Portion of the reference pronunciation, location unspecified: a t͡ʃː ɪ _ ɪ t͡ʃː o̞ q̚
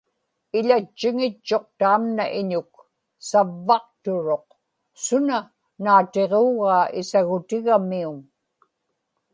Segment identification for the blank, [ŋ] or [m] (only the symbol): ŋ